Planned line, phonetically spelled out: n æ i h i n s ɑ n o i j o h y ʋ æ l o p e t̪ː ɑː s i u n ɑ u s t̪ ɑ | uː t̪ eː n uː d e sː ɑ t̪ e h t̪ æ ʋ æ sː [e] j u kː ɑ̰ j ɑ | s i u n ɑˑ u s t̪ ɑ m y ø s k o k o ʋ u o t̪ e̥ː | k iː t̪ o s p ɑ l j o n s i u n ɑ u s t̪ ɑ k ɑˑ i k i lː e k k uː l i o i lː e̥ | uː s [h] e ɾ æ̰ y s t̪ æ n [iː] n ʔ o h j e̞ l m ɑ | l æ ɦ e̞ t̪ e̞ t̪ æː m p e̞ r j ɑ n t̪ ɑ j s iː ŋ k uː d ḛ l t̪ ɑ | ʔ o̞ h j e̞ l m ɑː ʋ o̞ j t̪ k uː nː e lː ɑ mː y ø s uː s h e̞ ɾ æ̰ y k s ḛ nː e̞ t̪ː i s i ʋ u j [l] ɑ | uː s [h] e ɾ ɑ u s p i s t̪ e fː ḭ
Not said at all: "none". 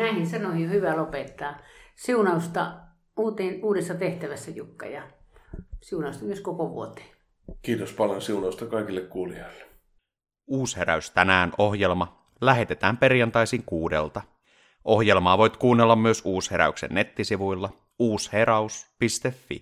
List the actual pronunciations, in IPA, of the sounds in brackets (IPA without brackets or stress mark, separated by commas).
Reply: æ, h, æː, lː, h